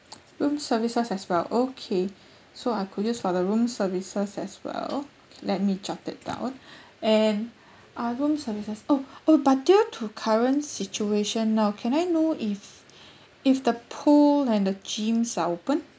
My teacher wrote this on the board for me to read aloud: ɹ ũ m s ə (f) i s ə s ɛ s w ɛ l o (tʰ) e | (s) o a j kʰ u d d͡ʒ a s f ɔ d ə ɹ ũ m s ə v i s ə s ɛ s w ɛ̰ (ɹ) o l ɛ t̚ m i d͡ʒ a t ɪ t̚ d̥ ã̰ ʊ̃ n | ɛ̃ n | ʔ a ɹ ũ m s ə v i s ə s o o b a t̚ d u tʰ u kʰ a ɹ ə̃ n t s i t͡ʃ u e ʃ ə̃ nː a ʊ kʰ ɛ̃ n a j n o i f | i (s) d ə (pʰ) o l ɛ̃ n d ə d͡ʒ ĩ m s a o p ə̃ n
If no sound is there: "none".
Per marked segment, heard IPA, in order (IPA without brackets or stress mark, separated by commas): v, kʰ, s, l, f, pʰ